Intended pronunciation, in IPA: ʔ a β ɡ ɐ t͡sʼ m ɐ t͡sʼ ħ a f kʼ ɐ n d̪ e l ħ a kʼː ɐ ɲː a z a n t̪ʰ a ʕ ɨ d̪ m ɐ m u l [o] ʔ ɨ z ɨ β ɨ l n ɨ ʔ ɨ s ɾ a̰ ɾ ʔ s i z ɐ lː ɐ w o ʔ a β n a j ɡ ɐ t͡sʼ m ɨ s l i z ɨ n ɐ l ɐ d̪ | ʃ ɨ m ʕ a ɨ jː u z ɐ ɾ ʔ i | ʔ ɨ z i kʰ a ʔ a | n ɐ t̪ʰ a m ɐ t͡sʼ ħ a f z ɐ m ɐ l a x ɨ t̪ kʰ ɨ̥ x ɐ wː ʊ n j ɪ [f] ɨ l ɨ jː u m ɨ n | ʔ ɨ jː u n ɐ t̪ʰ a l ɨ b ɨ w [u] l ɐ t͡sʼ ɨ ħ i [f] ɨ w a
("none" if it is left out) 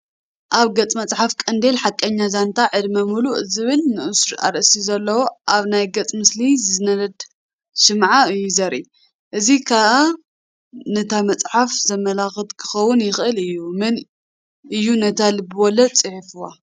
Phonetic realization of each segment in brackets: u, x, ɔ, f

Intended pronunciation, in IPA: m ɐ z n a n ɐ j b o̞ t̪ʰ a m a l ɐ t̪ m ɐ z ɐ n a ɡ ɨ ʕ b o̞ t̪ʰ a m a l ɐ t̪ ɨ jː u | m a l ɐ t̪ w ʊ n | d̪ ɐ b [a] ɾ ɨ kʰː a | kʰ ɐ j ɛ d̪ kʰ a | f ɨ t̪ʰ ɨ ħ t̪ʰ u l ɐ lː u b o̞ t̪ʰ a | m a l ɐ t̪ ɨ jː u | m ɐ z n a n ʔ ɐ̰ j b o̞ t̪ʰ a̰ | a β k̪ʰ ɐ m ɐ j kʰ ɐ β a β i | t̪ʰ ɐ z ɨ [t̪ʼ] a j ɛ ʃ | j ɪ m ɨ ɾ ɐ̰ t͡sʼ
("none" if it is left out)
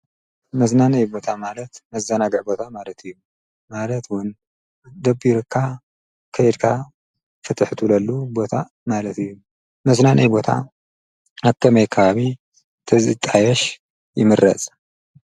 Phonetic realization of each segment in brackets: i, t̪ʼ

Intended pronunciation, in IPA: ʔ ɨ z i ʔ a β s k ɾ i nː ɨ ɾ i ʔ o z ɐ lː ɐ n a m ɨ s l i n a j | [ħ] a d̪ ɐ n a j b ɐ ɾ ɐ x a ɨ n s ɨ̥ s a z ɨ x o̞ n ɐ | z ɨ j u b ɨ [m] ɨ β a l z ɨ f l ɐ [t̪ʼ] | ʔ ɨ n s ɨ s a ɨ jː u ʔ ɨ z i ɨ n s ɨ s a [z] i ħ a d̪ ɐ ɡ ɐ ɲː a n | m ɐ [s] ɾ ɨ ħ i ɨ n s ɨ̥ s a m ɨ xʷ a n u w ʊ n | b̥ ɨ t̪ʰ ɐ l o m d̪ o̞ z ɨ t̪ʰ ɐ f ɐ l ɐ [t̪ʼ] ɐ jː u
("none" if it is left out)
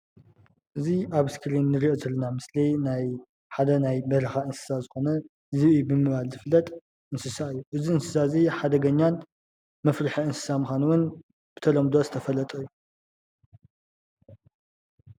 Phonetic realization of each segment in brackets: ħ, m, t̪ʼ, z, f, t̪ʼ

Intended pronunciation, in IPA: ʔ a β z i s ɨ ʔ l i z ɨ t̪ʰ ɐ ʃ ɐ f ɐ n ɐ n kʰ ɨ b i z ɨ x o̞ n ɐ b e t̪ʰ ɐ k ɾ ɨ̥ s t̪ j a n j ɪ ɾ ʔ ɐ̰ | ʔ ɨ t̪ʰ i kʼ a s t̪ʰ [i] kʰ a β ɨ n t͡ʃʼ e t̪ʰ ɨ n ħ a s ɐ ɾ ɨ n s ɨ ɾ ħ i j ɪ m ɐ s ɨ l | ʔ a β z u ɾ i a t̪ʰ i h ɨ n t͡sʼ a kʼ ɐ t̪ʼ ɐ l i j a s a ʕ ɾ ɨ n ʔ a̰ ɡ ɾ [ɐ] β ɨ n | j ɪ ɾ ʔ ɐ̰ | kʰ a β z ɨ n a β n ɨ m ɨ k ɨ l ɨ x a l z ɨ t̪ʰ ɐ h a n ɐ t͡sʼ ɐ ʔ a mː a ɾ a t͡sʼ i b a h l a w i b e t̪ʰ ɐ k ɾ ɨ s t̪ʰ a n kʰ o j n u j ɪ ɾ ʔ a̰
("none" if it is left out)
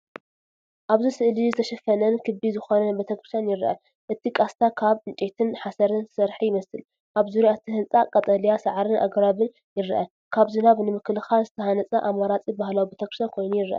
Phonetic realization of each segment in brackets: a, a

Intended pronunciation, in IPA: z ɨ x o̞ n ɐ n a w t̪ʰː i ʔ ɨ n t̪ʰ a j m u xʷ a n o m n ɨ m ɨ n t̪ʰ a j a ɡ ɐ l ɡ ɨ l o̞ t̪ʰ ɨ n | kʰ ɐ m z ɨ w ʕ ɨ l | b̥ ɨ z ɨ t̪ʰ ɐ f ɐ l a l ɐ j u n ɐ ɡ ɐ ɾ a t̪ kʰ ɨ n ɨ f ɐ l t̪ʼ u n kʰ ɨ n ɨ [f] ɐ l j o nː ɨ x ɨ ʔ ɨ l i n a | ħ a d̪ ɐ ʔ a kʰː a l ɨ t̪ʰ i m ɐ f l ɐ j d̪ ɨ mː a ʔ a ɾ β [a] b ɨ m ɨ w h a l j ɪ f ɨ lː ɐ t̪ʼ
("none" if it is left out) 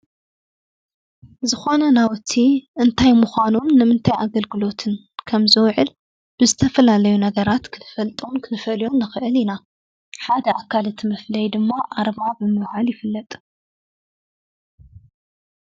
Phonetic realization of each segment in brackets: f, a

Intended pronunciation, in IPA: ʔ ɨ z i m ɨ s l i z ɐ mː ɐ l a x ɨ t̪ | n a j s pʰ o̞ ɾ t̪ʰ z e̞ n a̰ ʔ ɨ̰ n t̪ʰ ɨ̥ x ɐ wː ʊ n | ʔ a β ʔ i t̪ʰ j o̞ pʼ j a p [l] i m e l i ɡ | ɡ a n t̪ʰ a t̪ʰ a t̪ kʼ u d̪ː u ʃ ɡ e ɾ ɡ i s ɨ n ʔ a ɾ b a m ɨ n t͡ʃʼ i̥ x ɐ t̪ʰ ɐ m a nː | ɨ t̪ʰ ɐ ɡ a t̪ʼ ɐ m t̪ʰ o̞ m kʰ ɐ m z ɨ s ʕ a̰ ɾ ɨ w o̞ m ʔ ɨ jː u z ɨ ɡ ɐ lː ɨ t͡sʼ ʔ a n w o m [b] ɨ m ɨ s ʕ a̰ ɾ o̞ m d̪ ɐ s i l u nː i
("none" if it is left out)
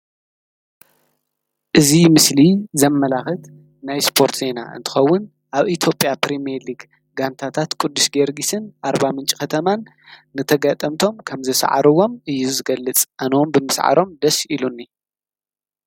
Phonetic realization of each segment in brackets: ɾ, b

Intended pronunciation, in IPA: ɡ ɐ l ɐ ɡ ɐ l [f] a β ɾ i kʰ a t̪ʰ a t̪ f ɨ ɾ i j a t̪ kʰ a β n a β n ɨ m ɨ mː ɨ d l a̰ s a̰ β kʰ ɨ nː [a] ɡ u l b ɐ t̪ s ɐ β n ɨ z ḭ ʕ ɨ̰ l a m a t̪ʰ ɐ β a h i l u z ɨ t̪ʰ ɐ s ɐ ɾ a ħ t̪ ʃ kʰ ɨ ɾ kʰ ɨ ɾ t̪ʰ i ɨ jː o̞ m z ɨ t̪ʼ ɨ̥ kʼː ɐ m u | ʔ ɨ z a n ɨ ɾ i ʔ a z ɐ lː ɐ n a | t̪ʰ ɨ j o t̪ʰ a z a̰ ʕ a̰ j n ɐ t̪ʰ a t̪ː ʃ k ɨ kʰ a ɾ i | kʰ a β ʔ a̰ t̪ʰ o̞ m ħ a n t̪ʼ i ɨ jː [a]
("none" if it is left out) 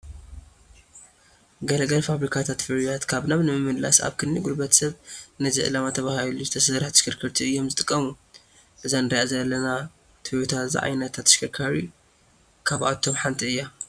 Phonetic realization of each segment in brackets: f, i, a

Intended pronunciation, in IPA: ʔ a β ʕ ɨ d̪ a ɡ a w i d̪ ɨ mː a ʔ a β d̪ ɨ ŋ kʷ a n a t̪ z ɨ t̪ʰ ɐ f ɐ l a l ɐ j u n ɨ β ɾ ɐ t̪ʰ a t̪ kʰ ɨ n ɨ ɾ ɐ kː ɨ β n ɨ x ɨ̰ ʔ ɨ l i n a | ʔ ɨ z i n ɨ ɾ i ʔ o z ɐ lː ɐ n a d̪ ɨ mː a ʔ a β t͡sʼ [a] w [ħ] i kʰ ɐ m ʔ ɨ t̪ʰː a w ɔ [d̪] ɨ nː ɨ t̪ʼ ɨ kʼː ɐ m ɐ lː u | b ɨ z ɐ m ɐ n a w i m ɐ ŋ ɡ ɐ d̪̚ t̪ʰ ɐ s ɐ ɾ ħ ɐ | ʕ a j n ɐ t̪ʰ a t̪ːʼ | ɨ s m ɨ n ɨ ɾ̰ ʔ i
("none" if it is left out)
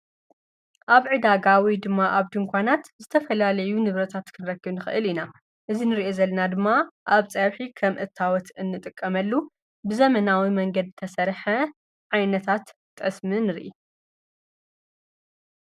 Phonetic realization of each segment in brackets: ɐ, ħ, t̪

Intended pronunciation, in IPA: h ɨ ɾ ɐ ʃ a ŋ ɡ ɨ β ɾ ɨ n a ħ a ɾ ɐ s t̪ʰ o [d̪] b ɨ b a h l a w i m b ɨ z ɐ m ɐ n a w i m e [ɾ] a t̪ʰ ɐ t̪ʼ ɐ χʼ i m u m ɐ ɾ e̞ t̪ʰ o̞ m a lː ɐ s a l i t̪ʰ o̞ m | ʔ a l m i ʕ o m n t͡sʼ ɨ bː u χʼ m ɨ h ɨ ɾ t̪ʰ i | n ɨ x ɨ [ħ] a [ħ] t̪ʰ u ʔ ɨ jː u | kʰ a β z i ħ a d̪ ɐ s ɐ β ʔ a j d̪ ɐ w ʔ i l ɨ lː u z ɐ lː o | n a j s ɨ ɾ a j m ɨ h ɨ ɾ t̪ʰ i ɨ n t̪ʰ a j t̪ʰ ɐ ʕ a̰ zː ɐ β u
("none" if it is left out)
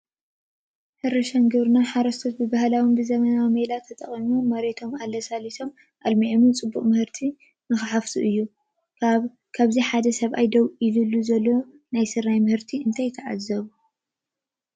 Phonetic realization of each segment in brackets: t̪, l, ħ, f

